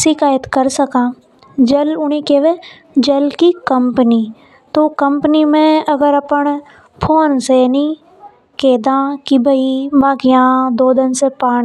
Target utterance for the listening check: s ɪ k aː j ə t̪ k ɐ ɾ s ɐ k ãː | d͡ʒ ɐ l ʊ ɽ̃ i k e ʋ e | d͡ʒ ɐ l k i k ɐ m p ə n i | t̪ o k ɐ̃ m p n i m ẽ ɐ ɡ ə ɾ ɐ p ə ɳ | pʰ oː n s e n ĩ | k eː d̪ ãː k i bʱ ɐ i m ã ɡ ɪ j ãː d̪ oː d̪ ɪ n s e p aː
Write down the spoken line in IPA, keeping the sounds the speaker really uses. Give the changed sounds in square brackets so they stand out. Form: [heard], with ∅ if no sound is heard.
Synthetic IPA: s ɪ k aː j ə t̪ k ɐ ɾ s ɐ k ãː | d͡ʒ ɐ l ʊ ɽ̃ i k e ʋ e | d͡ʒ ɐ l k i k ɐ m p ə n i | t̪ o k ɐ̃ m p n i m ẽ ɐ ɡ ə ɾ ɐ p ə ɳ | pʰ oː n s e n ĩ | k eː d̪ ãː k i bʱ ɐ i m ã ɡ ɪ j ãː d̪ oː d̪ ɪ n s e p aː